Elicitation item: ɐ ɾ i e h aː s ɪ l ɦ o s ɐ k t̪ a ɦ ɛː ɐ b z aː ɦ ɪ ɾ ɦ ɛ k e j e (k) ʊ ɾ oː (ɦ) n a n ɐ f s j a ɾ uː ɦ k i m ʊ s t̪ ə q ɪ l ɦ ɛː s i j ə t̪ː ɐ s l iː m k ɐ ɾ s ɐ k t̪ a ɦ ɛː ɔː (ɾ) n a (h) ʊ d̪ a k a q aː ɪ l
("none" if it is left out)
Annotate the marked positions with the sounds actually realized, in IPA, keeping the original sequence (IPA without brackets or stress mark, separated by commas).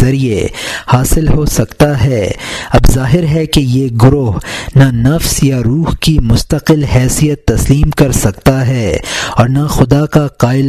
ɡ, ɦ, ɾ, x